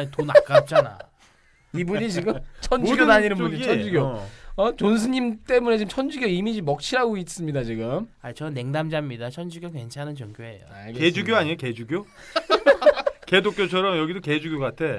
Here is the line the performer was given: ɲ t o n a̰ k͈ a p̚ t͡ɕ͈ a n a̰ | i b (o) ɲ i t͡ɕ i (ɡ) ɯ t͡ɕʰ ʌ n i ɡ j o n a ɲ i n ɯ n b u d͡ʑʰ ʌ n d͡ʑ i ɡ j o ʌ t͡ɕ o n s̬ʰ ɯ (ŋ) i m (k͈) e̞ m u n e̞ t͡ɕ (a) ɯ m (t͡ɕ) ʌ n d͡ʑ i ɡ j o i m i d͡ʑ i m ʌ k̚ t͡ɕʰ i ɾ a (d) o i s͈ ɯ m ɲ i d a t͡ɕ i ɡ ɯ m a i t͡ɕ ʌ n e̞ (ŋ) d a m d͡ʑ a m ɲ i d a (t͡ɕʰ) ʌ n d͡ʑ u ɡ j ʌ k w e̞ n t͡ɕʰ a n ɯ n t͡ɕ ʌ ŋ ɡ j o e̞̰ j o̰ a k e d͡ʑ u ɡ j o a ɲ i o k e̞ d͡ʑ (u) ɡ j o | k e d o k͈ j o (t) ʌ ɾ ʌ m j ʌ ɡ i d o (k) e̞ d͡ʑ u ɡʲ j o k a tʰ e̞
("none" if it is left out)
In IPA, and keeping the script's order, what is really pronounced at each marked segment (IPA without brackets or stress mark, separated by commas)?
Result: u, ɡ, ɲ, t͈, i, t͡ɕʰ, ɡ, ŋ, t͡ɕʰ, u, t͡ɕʰ, k